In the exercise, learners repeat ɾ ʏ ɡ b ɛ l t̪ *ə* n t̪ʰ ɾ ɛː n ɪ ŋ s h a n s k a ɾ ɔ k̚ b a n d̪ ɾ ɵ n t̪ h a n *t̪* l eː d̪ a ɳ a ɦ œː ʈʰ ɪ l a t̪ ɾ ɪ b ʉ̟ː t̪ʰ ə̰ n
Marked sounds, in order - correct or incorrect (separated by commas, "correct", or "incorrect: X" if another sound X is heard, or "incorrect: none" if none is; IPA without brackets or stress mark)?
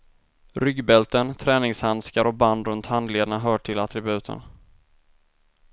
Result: correct, incorrect: d̪